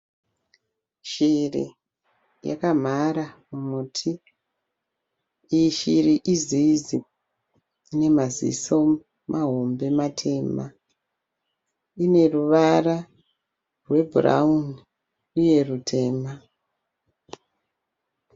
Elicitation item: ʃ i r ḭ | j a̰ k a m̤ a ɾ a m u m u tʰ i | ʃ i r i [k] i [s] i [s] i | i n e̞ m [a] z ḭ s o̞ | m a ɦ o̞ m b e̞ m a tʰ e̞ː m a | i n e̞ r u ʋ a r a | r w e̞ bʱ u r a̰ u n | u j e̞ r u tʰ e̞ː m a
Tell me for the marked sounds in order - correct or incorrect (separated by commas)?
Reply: incorrect, incorrect, incorrect, correct